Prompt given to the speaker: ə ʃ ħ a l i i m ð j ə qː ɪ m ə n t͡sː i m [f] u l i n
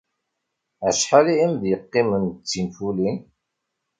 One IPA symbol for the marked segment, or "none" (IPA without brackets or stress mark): f